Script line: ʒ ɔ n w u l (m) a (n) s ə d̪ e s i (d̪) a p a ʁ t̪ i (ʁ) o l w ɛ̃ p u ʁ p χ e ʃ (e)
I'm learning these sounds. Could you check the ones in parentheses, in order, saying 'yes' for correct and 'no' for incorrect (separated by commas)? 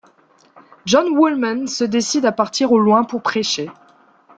yes, yes, yes, yes, yes